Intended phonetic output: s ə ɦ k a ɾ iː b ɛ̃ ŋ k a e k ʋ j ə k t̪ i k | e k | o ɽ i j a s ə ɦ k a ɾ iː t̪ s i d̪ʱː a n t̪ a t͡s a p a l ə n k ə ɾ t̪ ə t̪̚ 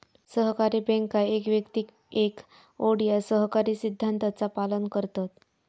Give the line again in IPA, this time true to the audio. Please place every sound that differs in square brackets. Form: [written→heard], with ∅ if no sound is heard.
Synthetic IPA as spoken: s ə ɦ k a ɾ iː b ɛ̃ ŋ k a e k ʋ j ə k t̪ i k | e k | o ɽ i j a s ə ɦ k a ɾ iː [t̪→∅] s i d̪ʱː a n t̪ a t͡s a p a l ə n k ə ɾ t̪ [ə→a] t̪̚